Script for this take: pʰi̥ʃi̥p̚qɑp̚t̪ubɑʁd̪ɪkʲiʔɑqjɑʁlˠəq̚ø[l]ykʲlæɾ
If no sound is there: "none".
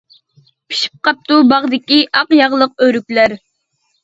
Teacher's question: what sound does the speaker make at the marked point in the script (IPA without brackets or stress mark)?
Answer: ɾ